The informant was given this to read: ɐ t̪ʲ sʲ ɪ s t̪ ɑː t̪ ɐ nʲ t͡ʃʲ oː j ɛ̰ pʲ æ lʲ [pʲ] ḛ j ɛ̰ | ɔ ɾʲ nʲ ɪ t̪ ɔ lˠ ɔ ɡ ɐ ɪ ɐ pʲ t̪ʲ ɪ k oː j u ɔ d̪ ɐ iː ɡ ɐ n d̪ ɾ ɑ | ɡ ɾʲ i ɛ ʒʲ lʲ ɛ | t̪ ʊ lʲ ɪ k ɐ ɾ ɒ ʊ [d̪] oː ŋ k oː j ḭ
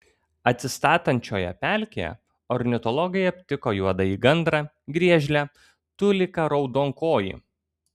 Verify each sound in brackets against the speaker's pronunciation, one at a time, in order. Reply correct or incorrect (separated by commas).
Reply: incorrect, correct